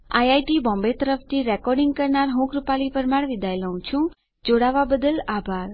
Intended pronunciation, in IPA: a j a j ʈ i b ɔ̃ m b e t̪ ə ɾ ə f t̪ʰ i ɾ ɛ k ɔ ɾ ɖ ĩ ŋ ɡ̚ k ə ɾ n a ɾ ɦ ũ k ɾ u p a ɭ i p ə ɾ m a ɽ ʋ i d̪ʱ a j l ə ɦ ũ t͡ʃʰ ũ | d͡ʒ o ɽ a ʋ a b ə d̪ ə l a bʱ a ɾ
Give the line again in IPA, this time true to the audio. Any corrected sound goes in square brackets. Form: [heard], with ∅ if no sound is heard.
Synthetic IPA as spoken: a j a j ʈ i b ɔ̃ m b e t̪ ə ɾ ə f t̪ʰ i ɾ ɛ k ɔ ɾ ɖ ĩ ŋ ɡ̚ k ə ɾ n a ɾ ɦ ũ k ɾ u p a [l] i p ə ɾ m a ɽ ʋ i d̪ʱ a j l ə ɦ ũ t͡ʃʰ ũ | d͡ʒ o ɽ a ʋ a b ə d̪ ə l a bʱ a ɾ